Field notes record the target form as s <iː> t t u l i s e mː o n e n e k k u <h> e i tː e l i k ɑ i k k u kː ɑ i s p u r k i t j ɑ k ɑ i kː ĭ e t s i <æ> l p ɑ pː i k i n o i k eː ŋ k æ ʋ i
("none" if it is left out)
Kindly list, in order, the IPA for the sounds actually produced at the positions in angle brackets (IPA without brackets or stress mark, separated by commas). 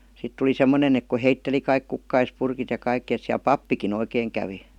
i, h, æ